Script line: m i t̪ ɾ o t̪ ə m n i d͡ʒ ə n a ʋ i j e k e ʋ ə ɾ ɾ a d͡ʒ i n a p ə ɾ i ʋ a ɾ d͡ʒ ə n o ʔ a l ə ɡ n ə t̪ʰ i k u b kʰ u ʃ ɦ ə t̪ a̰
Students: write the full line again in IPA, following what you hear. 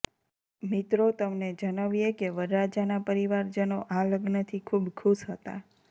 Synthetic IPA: m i t̪ ɾ o t̪ ə m n e d͡ʒ ə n a ʋ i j e k e ʋ ə ɾ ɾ a d͡ʒ a n a p ə ɾ i ʋ a ɾ d͡ʒ ə n o ʔ a l ə ɡ n ə t̪ʰ i kʰ u b kʰ u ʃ ɦ ə t̪ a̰